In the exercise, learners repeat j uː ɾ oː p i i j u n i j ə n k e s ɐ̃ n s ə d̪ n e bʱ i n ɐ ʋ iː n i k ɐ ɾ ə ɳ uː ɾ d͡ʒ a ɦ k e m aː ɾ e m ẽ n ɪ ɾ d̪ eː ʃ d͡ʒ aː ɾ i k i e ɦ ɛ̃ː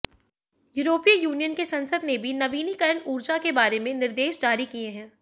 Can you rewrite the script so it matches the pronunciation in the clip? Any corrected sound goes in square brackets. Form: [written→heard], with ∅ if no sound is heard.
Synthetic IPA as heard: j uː ɾ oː p i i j [u→uː] n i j ə n k e s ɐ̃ n s ə d̪ n e bʱ i n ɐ ʋ iː n i k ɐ ɾ ə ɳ uː ɾ d͡ʒ a [ɦ→∅] k e [m→b] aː ɾ e m ẽ n ɪ ɾ d̪ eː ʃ d͡ʒ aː ɾ i k i e ɦ ɛ̃ː

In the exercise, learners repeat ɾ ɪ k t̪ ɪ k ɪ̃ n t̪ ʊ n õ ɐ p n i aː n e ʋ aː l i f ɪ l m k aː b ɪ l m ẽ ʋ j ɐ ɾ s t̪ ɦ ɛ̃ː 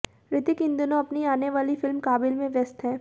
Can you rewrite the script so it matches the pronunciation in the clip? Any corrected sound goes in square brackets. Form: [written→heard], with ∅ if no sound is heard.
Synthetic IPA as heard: ɾ ɪ [k→∅] t̪ ɪ k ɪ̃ n [t̪→d̪] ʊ n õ ɐ p n i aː n e ʋ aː l i f ɪ l m k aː b ɪ l m ẽ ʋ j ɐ [ɾ→∅] s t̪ ɦ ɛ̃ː

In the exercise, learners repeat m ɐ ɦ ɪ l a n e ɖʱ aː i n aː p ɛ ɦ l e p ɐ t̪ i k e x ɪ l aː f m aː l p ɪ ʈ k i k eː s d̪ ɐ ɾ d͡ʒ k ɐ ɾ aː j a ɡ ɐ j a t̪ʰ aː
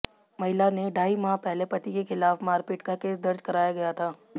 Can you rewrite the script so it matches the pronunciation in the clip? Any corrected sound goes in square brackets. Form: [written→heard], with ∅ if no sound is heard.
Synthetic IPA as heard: m ɐ ɦ ɪ l a n e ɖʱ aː i [n→m] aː p ɛ ɦ l e p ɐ t̪ i k e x ɪ l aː f m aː [l→ɾ] p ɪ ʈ k [i→a] k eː s d̪ ɐ ɾ d͡ʒ k ɐ ɾ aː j a ɡ ɐ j a t̪ʰ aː

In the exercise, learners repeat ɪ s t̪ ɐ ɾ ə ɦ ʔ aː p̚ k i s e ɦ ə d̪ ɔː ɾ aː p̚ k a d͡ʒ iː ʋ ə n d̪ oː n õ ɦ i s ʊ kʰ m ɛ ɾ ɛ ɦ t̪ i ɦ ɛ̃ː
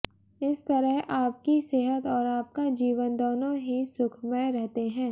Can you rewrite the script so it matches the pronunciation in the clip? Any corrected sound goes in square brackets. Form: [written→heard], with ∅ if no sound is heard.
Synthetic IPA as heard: ɪ s t̪ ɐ ɾ ə ɦ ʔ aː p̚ k i s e ɦ ə [d̪→t̪] ɔː ɾ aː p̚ k a d͡ʒ iː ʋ ə n d̪ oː n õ ɦ i s ʊ kʰ m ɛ ɾ ɛ ɦ t̪ [i→e] ɦ ɛ̃ː

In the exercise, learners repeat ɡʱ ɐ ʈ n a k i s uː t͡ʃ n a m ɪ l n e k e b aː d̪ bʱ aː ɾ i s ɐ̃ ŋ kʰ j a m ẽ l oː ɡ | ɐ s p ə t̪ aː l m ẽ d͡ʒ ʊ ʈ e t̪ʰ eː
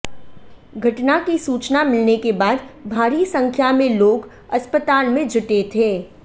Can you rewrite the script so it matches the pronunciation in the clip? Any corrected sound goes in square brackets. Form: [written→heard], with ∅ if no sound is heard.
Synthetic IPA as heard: ɡʱ ɐ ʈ n a k i s uː t͡ʃ n a m ɪ l n e k e b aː d̪ bʱ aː ɾ i s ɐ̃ ŋ kʰ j a m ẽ l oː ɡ | ɐ s p ə t̪ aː l m ẽ d͡ʒ ʊ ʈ e t̪ʰ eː

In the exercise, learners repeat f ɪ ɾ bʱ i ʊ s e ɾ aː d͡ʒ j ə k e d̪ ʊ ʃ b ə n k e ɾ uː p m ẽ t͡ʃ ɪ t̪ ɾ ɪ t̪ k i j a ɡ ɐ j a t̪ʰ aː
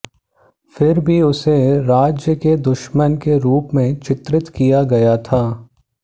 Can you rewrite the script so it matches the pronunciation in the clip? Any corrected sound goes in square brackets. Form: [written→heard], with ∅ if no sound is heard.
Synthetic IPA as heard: f ɪ ɾ bʱ i ʊ s e ɾ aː d͡ʒ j ə k e d̪ ʊ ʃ [b→m] ə n k e ɾ uː p m ẽ t͡ʃ ɪ t̪ ɾ ɪ t̪ k i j a ɡ ɐ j a t̪ʰ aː

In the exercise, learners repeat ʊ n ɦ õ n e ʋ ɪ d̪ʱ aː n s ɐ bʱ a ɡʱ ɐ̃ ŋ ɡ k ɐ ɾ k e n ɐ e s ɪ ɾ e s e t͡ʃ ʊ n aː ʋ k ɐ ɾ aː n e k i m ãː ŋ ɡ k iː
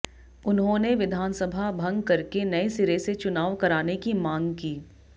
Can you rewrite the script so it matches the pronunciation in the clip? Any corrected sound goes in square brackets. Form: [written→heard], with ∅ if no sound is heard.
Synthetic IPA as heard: ʊ n ɦ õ n e ʋ ɪ d̪ʱ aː n s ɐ bʱ a [ɡʱ→bʱ] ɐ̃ ŋ ɡ k ɐ ɾ k e n ɐ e s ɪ ɾ e s e t͡ʃ ʊ n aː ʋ k ɐ ɾ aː n e k i m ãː ŋ ɡ k iː

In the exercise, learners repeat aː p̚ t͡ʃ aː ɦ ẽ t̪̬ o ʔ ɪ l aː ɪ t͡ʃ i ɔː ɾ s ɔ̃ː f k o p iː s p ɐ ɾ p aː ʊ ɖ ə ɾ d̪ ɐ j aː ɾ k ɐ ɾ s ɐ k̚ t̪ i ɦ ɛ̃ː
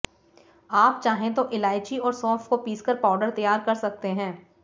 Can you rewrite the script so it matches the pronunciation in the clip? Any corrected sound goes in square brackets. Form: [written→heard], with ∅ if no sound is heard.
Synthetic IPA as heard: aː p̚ t͡ʃ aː ɦ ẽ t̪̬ o ʔ ɪ l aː ɪ t͡ʃ i ɔː ɾ s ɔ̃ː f k o p iː s [p→k] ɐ ɾ p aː ʊ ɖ ə ɾ [d̪→t̪] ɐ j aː ɾ k ɐ ɾ s ɐ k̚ t̪ [i→e] ɦ ɛ̃ː

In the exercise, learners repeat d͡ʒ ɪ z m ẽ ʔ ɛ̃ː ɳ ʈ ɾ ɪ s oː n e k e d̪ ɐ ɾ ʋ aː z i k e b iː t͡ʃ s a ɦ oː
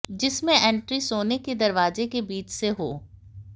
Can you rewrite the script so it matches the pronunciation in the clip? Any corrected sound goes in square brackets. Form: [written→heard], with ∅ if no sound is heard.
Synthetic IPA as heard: d͡ʒ ɪ [z→s] m ẽ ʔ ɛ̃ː ɳ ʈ ɾ [ɪ→i] s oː n e k e d̪ ɐ ɾ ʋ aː z [i→e] k e b iː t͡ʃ s [a→e] ɦ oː

